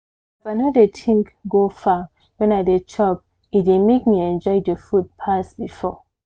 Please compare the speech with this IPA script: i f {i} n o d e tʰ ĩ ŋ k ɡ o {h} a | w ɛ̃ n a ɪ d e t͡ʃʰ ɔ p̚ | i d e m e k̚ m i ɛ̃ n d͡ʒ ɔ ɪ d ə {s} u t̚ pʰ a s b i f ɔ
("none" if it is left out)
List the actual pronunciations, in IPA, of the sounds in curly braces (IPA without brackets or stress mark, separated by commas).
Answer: a, f, f